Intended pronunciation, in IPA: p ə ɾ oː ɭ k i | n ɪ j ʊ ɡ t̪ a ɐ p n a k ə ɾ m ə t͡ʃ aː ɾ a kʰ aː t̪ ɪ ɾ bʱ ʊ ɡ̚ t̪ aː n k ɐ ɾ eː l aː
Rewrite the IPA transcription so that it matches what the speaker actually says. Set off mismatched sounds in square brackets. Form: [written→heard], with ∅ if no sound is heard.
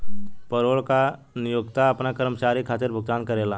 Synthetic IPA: p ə ɾ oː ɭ k [i→a] | n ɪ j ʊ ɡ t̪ a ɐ p n a k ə ɾ m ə t͡ʃ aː ɾ [a→i] kʰ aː t̪ ɪ ɾ bʱ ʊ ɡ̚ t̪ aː n k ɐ ɾ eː l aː